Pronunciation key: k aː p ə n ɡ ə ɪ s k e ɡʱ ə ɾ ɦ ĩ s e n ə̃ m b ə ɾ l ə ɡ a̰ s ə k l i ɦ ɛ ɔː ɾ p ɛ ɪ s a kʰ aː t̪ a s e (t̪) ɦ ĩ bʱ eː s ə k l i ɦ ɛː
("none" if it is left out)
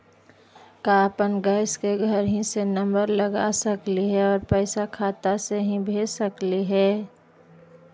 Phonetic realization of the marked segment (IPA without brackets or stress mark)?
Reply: none